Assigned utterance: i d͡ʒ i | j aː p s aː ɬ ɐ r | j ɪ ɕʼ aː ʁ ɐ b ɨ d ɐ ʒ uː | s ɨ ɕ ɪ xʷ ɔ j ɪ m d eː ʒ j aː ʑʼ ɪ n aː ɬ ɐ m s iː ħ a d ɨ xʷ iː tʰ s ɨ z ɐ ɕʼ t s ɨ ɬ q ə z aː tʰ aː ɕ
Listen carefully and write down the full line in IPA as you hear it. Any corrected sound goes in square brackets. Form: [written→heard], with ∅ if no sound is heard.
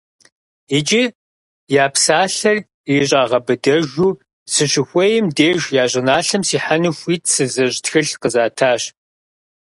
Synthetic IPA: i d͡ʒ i | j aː p s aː ɬ ɐ r | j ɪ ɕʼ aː ʁ ɐ b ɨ d ɐ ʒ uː | s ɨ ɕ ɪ xʷ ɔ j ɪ m d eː ʒ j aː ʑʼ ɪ n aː ɬ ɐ m s iː ħ a [d→n] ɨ xʷ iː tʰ s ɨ z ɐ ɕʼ t [s→x] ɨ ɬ q ə z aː tʰ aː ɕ

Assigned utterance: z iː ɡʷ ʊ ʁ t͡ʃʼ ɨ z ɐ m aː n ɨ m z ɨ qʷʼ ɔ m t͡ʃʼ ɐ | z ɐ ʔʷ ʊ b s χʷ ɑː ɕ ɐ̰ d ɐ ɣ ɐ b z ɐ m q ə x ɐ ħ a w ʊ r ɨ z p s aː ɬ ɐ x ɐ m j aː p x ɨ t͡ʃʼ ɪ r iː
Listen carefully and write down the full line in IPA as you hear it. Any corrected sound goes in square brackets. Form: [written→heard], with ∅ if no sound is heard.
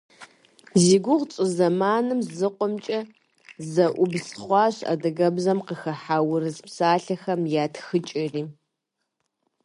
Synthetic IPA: z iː ɡʷ ʊ ʁ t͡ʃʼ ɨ z ɐ m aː n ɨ m z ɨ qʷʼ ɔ m t͡ʃʼ ɐ | z ɐ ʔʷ ʊ b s χʷ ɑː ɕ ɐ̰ d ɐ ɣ ɐ b z ɐ m q ə x ɐ ħ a w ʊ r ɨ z p s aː ɬ ɐ x ɐ m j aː [p→t] x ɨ t͡ʃʼ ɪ r iː

